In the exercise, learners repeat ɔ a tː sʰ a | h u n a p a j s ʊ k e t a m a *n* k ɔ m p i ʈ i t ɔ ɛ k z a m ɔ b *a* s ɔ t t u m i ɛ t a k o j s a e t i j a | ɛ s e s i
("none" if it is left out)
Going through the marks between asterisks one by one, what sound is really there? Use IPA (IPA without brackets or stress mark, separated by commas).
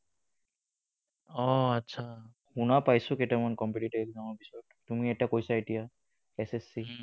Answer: n, i